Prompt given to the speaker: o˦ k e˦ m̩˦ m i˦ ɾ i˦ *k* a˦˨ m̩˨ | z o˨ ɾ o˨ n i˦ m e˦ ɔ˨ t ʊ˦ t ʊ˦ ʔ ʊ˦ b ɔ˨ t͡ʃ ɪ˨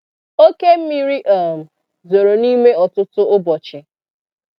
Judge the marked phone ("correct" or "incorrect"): incorrect